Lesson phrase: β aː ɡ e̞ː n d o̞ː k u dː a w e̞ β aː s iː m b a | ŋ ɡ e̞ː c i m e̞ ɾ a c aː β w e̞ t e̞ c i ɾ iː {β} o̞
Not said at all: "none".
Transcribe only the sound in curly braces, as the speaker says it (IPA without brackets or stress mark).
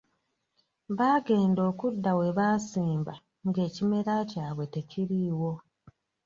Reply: w